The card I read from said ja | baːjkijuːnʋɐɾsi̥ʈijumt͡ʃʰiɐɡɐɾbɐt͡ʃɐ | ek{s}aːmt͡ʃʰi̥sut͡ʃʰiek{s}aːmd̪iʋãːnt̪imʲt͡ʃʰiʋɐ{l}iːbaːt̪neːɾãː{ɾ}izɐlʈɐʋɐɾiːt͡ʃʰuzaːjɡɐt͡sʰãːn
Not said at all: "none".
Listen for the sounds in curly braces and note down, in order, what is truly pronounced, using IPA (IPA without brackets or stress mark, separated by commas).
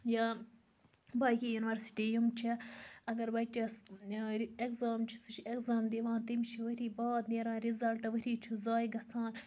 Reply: z, z, ɾ, ɾ